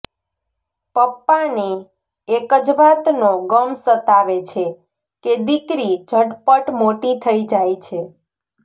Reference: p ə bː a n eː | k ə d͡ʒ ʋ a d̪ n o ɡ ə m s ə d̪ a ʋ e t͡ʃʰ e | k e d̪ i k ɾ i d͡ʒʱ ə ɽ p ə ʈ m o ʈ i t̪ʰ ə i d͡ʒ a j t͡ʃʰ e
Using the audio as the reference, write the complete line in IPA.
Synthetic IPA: p ə pː a n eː | k ə d͡ʒ ʋ a t̪ n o ɡ ə m s ə t̪ a ʋ e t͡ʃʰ e | k e d̪ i k ɾ i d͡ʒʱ ə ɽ p ə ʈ m o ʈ i t̪ʰ ə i d͡ʒ a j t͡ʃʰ e